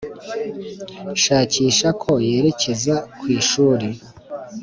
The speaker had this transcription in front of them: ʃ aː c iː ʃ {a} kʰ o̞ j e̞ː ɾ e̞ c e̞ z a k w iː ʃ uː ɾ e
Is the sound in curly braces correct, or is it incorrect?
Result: correct